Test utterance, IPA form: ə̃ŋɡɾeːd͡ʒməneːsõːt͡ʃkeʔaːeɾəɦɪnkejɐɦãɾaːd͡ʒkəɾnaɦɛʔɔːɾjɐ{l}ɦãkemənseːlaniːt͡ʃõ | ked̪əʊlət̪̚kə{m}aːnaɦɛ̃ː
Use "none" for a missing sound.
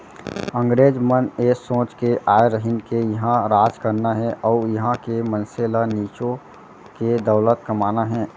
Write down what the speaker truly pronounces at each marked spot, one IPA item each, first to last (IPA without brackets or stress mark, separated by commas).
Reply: none, m